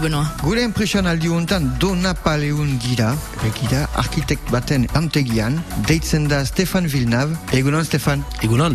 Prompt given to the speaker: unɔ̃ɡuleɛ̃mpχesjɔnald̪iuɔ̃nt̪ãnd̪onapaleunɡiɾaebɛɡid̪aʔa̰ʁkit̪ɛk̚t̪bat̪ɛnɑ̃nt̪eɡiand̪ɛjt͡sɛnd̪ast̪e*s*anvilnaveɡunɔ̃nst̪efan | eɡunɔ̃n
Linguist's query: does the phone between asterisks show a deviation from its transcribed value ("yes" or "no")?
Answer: yes